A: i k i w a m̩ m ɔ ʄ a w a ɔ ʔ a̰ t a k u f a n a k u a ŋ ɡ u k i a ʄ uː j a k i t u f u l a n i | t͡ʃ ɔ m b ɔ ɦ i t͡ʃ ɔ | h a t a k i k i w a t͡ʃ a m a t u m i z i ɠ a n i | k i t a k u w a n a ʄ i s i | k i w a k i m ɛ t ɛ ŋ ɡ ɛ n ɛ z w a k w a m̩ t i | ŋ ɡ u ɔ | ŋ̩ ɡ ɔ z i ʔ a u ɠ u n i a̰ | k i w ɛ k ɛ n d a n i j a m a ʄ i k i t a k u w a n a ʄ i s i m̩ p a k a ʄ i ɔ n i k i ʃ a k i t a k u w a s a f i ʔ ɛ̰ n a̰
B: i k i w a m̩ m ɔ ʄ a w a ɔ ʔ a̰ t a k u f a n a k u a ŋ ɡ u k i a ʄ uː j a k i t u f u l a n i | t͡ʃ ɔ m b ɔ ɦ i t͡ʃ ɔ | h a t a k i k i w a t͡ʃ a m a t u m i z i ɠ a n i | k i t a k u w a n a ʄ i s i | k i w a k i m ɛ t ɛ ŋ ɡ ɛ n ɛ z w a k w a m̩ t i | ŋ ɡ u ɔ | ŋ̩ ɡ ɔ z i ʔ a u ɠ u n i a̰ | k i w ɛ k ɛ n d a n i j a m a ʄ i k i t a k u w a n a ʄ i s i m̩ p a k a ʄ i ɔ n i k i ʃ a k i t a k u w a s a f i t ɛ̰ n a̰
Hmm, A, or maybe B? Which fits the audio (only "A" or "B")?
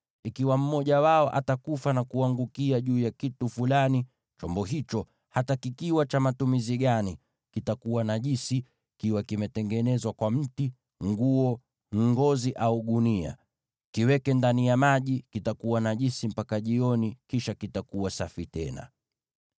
B